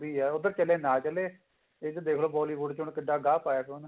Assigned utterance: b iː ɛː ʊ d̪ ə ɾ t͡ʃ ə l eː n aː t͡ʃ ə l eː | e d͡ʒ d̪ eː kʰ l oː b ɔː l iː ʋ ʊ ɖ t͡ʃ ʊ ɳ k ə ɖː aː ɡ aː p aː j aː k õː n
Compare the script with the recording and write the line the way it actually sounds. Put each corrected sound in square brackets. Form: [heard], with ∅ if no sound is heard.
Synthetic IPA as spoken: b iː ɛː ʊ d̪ ə ɾ t͡ʃ ə l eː n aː t͡ʃ ə l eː | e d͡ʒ d̪ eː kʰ l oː b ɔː l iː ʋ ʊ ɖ t͡ʃ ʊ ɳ k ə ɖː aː ɡ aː p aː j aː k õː n